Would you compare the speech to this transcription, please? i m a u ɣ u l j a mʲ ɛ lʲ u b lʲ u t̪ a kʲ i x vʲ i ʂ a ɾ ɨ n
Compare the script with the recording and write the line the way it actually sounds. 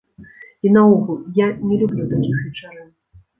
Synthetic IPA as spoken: i n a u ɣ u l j a nʲ ɛ lʲ u b lʲ u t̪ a kʲ i x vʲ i t͡ʂ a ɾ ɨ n